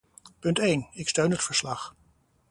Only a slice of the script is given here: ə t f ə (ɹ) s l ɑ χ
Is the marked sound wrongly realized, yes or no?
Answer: no